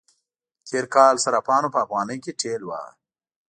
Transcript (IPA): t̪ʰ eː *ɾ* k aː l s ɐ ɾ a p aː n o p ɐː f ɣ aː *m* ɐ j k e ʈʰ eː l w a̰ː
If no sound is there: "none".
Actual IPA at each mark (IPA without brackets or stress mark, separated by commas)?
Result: ɾ, n